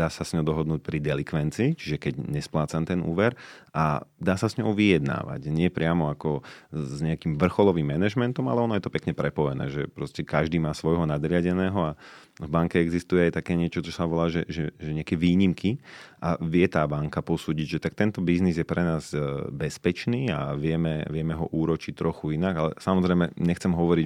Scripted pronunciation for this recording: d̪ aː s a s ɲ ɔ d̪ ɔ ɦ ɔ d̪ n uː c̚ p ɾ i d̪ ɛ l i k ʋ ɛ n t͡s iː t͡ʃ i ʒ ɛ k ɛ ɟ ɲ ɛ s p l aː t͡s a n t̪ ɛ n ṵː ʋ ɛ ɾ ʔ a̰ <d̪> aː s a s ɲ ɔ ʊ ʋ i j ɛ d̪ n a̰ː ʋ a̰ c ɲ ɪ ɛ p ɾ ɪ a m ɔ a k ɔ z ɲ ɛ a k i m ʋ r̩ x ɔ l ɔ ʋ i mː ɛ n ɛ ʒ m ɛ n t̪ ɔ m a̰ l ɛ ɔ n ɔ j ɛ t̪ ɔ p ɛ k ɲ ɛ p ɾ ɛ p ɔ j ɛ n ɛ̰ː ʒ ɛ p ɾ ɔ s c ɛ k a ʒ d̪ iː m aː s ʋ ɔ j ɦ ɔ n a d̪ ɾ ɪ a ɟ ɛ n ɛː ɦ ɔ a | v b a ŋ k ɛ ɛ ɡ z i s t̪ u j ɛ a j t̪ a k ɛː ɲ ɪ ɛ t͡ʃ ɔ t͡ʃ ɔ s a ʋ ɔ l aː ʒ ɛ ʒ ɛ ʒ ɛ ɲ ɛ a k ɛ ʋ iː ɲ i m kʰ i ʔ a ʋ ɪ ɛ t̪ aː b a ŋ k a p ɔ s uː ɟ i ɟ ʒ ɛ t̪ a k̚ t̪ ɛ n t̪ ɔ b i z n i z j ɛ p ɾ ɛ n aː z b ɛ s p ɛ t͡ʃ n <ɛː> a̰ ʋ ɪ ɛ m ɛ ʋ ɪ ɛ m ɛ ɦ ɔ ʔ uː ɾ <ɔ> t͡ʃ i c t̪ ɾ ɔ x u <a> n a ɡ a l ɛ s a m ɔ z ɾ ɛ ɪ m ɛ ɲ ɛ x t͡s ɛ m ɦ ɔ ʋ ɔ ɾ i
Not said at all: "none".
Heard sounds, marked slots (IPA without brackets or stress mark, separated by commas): d̪, iː, ɔ, i